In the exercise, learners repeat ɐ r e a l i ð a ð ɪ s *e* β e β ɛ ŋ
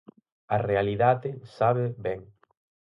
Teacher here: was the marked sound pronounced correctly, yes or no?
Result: no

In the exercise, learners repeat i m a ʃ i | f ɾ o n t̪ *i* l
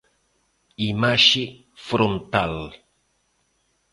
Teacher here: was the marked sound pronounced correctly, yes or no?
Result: no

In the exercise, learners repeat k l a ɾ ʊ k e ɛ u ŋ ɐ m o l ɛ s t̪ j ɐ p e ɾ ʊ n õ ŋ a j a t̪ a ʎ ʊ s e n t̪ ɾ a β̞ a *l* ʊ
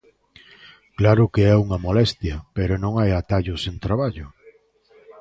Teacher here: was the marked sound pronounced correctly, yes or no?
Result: no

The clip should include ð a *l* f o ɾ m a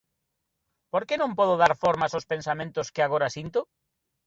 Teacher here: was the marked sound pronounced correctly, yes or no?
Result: no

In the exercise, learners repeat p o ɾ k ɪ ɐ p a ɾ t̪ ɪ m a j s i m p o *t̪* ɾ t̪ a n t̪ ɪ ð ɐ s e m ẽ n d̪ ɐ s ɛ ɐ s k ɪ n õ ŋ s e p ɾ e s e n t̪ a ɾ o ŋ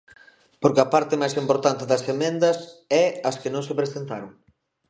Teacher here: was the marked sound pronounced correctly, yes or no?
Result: no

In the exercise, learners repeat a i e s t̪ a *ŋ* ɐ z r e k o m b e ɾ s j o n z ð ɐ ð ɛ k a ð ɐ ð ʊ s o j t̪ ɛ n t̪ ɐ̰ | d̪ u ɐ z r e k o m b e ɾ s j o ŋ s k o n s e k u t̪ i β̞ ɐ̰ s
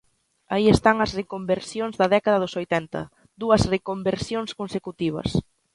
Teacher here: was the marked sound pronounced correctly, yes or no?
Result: yes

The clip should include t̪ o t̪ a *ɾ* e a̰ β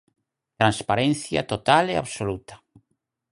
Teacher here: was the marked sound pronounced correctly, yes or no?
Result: no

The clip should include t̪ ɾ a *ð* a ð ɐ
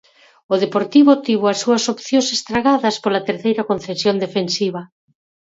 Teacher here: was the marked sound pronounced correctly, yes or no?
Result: no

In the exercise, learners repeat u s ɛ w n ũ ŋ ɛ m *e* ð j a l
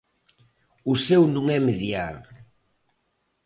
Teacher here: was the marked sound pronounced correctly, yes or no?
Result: yes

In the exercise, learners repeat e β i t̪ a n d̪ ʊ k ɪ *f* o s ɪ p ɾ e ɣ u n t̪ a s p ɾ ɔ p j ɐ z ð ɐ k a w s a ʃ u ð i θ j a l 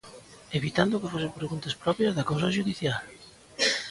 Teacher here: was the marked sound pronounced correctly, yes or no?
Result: yes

